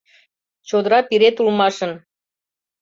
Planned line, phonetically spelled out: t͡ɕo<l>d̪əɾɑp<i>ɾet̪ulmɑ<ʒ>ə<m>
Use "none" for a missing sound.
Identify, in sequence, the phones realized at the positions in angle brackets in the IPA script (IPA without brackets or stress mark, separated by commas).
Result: none, i, ʃ, n